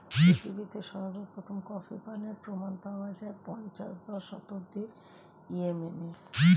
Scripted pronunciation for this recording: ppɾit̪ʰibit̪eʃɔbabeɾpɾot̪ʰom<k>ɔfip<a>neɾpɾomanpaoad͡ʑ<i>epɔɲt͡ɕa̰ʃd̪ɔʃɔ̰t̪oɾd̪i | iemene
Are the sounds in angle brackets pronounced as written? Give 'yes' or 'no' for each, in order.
yes, yes, no

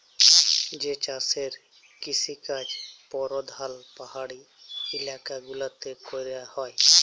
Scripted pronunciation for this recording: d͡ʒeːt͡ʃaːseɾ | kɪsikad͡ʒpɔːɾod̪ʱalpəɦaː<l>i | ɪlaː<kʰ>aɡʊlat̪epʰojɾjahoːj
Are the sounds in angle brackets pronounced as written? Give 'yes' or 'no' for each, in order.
no, no

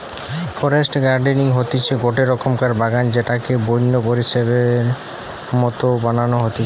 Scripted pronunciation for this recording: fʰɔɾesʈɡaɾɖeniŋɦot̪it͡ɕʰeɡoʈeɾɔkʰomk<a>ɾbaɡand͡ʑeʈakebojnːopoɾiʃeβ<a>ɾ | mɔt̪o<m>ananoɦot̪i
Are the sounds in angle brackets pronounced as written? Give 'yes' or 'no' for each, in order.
yes, no, no

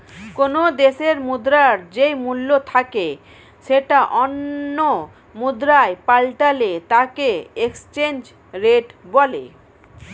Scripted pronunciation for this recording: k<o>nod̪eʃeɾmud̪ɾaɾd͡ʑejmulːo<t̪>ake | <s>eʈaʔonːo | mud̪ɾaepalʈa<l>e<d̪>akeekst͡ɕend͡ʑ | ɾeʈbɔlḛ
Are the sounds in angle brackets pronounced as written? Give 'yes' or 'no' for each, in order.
yes, no, no, yes, no

